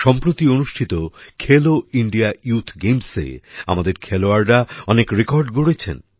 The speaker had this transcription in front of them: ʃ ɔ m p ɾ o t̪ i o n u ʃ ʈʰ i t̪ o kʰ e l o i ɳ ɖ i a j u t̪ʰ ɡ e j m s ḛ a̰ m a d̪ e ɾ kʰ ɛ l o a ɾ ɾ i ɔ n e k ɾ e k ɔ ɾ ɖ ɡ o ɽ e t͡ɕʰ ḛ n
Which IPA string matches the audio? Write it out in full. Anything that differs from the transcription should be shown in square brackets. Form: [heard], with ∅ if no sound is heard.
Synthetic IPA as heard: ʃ ɔ m p ɾ o t̪ i o n u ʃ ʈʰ i t̪ o kʰ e l o i ɳ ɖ i a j u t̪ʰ ɡ e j m s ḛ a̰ m a d̪ e ɾ kʰ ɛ l o a ɾ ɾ [a] ɔ n e k ɾ e k ɔ ɾ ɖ ɡ o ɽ e t͡ɕʰ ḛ n